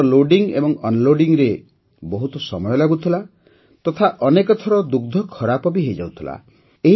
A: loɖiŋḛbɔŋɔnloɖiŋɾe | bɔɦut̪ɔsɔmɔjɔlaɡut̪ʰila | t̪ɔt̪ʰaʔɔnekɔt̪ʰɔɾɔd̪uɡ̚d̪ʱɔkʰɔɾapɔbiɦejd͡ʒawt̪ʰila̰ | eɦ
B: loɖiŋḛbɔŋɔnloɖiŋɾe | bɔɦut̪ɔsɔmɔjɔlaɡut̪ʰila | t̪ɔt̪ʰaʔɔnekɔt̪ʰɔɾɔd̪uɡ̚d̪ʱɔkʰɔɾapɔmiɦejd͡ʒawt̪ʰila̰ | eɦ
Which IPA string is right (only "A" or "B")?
A